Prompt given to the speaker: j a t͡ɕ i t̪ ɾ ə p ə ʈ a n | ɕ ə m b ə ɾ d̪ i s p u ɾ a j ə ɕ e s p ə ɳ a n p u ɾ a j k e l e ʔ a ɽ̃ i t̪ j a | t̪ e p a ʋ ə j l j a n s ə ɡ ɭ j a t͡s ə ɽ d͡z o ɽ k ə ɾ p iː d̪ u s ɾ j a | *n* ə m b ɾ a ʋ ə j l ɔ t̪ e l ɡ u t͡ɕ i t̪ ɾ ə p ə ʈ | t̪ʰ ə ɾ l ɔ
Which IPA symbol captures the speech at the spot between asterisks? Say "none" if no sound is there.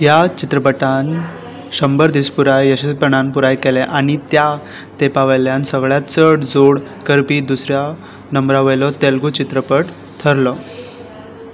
n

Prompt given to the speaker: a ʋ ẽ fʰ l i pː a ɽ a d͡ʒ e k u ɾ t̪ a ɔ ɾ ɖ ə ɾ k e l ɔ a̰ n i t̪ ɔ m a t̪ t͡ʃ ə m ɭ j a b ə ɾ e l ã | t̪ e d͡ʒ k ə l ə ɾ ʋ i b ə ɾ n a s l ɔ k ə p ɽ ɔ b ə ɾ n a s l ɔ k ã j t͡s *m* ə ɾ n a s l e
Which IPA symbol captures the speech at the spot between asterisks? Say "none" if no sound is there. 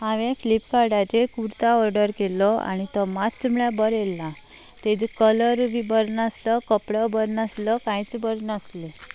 b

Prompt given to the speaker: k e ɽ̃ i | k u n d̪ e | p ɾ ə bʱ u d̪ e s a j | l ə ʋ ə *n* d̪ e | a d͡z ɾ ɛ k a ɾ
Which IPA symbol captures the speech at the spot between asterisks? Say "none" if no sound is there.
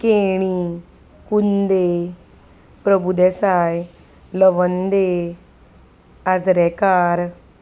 n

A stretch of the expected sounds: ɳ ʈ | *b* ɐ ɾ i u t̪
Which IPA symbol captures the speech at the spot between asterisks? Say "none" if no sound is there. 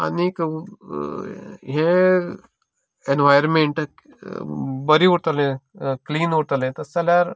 b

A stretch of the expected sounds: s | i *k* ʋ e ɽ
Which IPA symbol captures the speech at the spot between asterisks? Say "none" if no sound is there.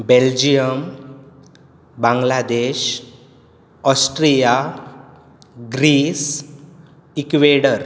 k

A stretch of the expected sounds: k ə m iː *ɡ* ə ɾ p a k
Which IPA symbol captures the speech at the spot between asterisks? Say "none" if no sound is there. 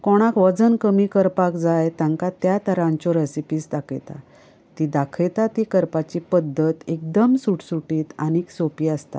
k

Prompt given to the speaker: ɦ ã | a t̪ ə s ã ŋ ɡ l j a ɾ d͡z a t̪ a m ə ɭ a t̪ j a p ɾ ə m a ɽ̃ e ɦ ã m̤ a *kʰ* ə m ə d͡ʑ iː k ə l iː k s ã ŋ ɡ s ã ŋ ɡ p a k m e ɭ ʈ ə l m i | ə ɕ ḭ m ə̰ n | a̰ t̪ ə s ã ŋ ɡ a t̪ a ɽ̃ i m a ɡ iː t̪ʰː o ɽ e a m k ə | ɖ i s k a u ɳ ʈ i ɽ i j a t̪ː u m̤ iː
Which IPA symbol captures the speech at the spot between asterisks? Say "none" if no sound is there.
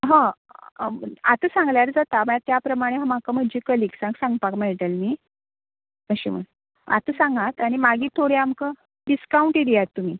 k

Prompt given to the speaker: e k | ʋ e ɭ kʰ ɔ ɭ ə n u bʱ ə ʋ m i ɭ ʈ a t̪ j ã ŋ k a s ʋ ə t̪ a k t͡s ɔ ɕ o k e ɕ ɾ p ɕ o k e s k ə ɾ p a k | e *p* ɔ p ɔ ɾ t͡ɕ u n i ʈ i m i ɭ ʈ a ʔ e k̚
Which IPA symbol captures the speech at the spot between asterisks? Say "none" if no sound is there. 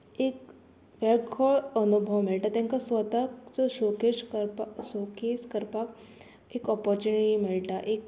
k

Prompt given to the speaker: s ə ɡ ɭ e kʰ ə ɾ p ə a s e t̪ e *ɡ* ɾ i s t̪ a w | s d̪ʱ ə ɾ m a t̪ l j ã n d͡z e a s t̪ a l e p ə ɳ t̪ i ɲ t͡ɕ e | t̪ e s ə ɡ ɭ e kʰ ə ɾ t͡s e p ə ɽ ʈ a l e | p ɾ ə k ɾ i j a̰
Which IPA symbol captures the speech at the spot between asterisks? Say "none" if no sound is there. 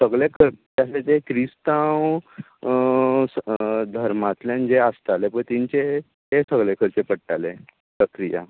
k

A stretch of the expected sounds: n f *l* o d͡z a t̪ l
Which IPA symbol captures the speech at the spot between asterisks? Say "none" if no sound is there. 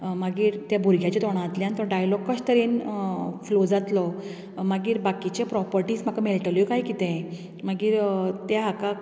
l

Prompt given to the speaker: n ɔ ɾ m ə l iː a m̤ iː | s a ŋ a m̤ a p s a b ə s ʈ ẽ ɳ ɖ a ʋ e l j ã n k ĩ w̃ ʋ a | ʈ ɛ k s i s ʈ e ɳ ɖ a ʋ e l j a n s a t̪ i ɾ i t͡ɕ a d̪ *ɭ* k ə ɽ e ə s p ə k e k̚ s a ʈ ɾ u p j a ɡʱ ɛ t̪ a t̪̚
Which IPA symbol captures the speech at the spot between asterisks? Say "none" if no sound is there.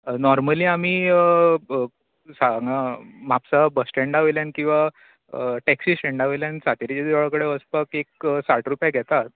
ɭ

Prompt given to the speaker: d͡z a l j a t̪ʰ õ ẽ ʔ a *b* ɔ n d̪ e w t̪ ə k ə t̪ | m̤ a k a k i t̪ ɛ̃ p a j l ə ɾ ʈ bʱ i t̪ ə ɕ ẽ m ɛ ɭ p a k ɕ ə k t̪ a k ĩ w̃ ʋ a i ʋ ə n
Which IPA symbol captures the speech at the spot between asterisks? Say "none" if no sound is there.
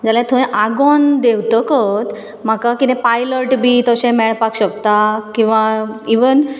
ɡ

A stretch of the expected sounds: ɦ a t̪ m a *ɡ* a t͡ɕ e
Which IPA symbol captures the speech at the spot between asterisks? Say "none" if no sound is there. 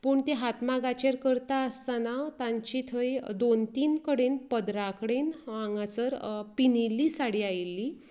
ɡ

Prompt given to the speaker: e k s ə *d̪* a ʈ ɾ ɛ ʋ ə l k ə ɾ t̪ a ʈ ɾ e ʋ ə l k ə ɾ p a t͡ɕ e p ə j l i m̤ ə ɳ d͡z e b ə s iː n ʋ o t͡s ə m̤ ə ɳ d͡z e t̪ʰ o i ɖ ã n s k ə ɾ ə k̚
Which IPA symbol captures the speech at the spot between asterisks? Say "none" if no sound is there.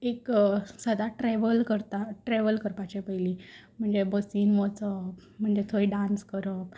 d̪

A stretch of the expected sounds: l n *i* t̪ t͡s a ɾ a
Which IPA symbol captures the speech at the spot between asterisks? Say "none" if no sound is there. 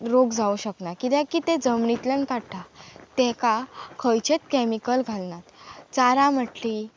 a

